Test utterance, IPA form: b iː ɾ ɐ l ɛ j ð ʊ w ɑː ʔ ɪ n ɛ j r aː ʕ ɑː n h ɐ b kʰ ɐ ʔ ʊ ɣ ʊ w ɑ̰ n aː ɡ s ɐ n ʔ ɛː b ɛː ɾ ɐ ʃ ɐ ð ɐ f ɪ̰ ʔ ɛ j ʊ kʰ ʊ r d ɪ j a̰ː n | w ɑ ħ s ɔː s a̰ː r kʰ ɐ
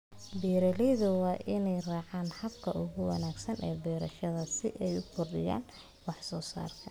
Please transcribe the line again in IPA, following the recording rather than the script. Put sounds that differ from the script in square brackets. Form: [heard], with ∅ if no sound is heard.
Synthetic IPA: b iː ɾ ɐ l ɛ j ð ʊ w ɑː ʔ ɪ n ɛ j r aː ʕ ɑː n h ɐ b kʰ ɐ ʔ ʊ ɣ ʊ w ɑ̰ n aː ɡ s ɐ n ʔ ɛː b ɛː ɾ ɐ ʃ ɐ ð ɐ [s] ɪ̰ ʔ ɛ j ʊ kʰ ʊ r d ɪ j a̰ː n | w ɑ ħ s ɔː s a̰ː r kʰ ɐ